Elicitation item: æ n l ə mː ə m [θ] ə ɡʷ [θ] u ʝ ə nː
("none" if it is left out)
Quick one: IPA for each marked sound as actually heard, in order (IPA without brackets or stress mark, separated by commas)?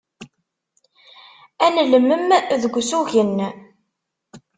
ð, s